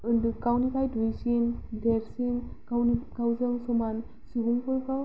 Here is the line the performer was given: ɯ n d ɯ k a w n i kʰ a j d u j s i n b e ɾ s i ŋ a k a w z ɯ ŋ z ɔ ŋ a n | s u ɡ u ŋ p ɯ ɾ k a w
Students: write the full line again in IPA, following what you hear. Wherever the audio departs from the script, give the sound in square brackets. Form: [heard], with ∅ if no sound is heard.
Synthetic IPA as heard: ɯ n d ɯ k a w n i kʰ a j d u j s i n [d] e ɾ s i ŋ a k a w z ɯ ŋ [s] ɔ [m] a n | s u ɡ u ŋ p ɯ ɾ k a w